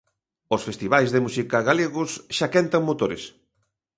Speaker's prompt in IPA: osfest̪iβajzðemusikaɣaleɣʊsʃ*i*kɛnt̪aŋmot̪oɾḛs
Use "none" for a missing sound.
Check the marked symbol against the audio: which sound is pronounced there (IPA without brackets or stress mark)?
a